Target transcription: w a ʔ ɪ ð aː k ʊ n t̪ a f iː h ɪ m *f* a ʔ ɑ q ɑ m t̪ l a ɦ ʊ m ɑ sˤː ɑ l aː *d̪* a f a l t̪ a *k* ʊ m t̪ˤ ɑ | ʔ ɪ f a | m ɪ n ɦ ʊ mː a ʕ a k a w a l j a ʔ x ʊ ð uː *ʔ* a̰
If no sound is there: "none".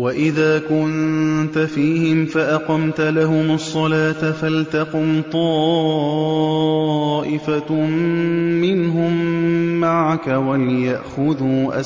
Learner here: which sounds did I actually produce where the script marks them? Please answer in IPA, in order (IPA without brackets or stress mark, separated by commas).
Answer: f, t̪, q, ʔ